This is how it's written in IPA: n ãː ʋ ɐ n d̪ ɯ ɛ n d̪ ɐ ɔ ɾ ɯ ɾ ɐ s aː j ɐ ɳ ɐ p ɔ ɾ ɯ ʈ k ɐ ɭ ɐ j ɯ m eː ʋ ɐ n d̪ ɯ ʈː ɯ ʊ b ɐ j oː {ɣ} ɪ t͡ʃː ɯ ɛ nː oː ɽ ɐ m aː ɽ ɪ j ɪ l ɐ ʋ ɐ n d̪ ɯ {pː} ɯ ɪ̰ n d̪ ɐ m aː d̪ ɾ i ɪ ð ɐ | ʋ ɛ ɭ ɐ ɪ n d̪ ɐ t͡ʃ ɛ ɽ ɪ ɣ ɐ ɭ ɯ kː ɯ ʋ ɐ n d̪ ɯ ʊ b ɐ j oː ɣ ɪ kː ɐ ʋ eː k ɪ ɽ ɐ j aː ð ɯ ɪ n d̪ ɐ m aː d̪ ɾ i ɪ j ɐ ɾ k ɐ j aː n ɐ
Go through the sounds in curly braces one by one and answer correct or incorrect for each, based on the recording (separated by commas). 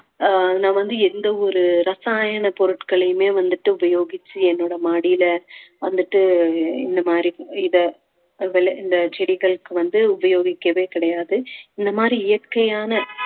correct, incorrect